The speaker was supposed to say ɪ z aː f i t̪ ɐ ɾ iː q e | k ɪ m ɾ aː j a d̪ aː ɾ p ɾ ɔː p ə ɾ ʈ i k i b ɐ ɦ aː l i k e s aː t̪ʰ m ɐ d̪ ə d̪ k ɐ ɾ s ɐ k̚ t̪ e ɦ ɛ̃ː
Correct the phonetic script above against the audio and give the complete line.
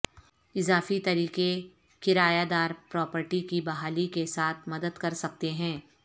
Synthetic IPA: ɪ z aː f i t̪ ɐ ɾ iː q e | k ɪ ɾ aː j a d̪ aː ɾ p ɾ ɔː p ə ɾ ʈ i k i b ɐ ɦ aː l i k e s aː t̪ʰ m ɐ d̪ ə d̪ k ɐ ɾ s ɐ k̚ t̪ e ɦ ɛ̃ː